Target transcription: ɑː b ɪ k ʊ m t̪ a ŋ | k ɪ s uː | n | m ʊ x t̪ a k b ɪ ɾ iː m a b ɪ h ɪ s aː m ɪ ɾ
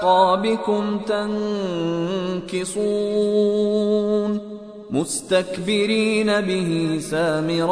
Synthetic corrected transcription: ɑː b ɪ k ʊ m t̪ a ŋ | k ɪ s uː | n | m ʊ s t̪ a k b ɪ ɾ iː n a b ɪ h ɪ s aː m ɪ ɾ